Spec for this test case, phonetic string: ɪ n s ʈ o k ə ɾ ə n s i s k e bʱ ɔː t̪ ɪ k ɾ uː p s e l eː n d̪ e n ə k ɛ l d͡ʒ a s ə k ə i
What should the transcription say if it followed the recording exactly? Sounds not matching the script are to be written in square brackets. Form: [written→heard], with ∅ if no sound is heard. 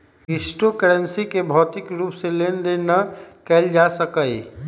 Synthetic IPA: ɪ [n→∅] s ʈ o k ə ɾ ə n s i [s→∅] k e bʱ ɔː t̪ ɪ k ɾ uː p s e l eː n d̪ e n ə k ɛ l d͡ʒ a s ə k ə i

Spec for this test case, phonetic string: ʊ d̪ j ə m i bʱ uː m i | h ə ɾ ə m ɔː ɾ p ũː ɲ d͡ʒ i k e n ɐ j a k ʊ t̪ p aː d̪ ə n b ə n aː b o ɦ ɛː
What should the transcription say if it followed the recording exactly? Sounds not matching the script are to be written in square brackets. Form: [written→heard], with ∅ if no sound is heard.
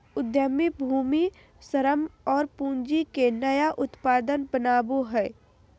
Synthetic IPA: ʊ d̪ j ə m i bʱ uː m i | [h→s] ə ɾ ə m ɔː ɾ p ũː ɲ d͡ʒ i k e n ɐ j a [k→ʔ] ʊ t̪ p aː d̪ ə n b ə n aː b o ɦ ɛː

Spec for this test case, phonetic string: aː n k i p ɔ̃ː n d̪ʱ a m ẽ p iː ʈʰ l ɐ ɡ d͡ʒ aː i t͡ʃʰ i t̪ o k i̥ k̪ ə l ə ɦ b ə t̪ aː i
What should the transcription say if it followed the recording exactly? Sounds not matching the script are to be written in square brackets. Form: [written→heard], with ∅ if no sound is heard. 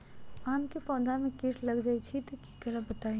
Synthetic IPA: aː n k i p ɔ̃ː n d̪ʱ a m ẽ [p→k] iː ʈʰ l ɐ ɡ d͡ʒ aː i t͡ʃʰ i t̪ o k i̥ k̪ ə [l→ɾ] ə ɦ b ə t̪ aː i

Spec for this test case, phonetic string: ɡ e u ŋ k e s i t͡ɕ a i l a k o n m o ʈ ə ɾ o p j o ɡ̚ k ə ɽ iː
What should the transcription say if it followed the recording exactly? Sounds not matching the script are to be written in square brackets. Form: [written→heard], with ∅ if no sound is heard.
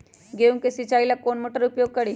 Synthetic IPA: ɡ e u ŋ k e s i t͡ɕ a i l a k o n m o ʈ ə ɾ [o→u] p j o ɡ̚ k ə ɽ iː

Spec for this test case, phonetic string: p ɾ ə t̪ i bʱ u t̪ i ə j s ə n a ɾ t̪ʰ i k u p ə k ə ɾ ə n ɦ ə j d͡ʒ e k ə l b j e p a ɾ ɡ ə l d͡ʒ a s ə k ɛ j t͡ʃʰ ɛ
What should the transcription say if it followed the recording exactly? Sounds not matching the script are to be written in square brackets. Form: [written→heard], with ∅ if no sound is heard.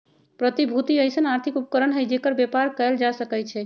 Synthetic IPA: p ɾ ə t̪ i bʱ u t̪ i ə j s ə n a ɾ t̪ʰ i k u p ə k ə ɾ ə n ɦ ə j d͡ʒ e k ə [l→ɾ] b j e p a ɾ [ɡ→k] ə l d͡ʒ a s ə k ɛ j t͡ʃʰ ɛ

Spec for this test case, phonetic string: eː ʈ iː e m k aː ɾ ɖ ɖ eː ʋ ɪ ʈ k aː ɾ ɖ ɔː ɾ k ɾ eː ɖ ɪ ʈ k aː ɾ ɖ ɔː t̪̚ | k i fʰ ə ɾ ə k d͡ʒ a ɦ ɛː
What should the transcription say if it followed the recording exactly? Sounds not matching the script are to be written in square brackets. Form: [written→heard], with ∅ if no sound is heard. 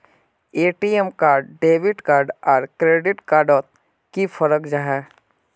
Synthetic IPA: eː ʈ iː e m k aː ɾ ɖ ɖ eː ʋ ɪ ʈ k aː ɾ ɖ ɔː ɾ k ɾ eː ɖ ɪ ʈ k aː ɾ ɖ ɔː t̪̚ | k i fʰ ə ɾ ə k d͡ʒ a ɦ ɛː

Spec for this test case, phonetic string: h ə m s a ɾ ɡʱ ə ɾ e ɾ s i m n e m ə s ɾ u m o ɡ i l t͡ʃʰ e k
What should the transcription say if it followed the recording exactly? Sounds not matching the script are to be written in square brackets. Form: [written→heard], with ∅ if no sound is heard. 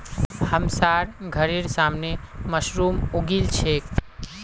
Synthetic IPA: h ə m s a ɾ ɡʱ ə ɾ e ɾ s [i→a] m n e m ə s ɾ u m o ɡ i l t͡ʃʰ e k

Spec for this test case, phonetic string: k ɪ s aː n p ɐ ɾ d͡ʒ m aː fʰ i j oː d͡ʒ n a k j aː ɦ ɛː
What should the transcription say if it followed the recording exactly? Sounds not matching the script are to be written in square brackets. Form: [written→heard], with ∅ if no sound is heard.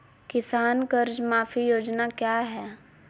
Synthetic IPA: k ɪ s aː n [p→k] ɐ ɾ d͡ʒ m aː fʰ i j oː d͡ʒ n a k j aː ɦ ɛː

